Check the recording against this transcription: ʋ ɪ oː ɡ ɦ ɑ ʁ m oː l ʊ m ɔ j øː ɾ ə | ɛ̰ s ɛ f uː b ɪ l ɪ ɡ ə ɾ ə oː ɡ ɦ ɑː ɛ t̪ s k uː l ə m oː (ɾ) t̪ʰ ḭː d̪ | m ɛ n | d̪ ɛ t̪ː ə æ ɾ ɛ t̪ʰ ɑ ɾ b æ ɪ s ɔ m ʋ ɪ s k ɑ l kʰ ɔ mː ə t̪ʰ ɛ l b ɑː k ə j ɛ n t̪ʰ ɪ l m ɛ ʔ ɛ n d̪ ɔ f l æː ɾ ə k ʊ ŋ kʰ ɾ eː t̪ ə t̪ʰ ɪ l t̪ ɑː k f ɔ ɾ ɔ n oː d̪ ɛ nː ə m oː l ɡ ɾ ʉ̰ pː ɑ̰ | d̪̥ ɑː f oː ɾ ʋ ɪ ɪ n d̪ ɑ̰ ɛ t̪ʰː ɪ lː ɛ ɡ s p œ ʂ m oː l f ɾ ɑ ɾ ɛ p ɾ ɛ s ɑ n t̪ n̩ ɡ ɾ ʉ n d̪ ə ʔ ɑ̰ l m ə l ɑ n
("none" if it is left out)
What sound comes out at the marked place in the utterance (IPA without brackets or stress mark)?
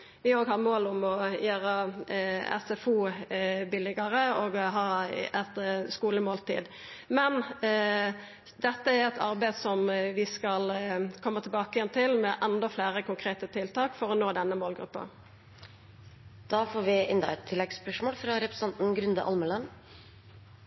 l